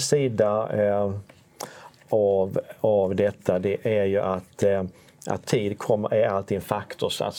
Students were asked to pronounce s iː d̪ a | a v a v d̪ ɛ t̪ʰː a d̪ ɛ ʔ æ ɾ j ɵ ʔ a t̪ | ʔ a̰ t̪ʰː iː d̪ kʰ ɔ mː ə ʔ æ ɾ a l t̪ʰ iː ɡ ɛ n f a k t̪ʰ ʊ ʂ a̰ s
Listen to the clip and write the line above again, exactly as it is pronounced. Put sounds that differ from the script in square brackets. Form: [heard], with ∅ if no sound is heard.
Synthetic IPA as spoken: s iː d̪ a | a v a v d̪ ɛ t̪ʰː a d̪ ɛ ʔ æ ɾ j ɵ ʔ a t̪ | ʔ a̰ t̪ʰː iː d̪ kʰ ɔ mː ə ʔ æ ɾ a l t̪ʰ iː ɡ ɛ n f a k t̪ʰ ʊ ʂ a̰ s